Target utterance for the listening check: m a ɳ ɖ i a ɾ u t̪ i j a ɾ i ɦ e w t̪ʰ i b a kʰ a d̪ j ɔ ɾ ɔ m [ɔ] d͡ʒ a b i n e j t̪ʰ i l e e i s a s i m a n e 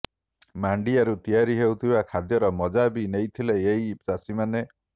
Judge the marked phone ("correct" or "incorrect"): correct